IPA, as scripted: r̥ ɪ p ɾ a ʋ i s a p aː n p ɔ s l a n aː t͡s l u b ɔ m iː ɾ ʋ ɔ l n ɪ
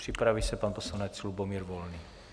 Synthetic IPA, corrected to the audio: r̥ i p ɾ a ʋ i s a p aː n p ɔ s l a n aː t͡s l u b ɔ m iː ɾ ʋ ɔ l n i